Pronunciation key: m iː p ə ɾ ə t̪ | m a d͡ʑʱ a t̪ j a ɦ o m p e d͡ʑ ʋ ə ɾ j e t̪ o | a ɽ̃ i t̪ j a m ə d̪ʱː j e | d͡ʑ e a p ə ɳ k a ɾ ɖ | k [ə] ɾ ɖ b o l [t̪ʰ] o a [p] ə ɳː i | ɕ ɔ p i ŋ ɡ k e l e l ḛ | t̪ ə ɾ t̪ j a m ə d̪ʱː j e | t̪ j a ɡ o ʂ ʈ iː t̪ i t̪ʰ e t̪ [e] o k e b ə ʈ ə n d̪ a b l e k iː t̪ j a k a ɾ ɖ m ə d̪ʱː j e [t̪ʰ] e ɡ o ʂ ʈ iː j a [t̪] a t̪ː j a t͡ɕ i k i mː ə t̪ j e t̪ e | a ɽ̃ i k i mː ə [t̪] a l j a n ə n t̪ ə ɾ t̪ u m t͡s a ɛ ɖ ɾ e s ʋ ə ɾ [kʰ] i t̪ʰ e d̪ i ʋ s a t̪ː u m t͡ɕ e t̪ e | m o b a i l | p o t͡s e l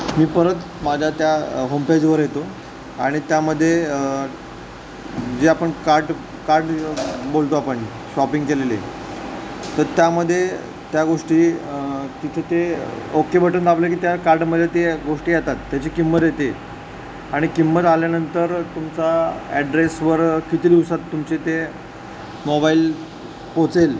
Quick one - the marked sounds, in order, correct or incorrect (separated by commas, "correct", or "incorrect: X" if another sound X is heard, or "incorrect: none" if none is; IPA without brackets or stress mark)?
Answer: incorrect: a, incorrect: t̪, correct, correct, incorrect: t̪, correct, correct, incorrect: k